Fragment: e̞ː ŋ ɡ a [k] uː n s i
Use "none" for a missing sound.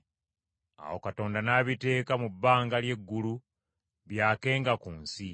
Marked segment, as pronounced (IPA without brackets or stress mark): k